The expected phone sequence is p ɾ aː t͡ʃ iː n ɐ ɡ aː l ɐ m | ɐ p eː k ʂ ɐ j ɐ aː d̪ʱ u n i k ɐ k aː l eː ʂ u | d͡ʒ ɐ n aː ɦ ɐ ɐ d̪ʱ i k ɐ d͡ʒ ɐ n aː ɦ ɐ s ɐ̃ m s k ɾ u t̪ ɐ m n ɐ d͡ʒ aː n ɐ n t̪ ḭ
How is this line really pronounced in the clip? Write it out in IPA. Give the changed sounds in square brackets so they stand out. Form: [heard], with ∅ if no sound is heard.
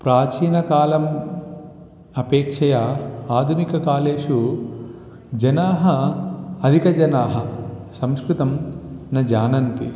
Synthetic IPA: p ɾ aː t͡ʃ iː n ɐ [k] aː l ɐ m | ɐ p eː k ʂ ɐ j ɐ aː d̪ʱ u n i k ɐ k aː l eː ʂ u | d͡ʒ ɐ n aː ɦ ɐ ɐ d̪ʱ i k ɐ d͡ʒ ɐ n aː ɦ ɐ s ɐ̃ m s k ɾ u t̪ ɐ m n ɐ d͡ʒ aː n ɐ n t̪ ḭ